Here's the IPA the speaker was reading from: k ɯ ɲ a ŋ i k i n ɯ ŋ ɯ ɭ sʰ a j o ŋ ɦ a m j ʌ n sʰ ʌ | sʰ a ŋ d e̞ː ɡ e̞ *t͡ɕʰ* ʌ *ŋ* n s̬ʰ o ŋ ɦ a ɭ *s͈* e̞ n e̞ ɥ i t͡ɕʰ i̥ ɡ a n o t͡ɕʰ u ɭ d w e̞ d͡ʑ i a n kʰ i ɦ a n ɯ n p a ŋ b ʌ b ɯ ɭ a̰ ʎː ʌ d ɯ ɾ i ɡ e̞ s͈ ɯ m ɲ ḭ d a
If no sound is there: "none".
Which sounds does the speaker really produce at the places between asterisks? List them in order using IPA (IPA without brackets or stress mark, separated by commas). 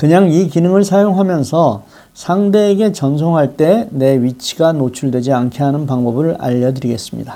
t͡ɕ, none, t͈